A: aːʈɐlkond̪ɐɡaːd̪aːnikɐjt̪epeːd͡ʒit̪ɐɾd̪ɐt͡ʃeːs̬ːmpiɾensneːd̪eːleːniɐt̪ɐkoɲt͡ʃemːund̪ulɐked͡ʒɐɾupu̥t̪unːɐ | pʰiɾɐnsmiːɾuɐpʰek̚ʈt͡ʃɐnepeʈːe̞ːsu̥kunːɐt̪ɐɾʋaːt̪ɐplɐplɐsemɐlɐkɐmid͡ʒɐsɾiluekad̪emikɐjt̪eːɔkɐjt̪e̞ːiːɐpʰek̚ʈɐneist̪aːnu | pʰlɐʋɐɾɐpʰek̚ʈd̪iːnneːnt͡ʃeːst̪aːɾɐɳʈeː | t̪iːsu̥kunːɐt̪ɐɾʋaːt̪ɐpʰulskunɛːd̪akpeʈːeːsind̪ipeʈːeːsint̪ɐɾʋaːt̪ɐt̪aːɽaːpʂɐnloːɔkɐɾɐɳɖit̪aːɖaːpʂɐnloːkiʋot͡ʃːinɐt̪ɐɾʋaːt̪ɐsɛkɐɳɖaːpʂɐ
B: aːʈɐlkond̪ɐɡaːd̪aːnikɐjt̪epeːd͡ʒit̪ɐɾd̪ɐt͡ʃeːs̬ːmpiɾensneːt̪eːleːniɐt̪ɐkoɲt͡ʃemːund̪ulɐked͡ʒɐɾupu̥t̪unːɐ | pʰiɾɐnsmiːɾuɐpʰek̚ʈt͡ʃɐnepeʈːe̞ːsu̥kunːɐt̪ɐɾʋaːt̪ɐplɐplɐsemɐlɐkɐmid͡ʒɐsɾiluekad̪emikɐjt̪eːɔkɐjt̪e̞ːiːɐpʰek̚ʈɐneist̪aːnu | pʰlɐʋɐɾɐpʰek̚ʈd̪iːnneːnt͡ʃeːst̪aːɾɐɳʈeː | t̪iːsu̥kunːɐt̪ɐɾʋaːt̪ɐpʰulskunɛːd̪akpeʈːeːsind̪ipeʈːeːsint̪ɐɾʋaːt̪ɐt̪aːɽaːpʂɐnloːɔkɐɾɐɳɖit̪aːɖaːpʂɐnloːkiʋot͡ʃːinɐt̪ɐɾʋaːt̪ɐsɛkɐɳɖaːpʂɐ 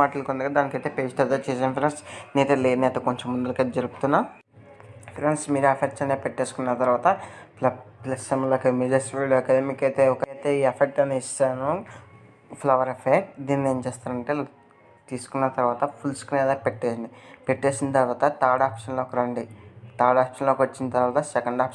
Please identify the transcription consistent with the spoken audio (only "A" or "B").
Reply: B